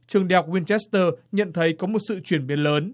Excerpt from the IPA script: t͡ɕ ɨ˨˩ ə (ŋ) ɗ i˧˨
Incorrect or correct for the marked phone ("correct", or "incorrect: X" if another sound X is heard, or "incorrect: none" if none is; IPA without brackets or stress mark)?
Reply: correct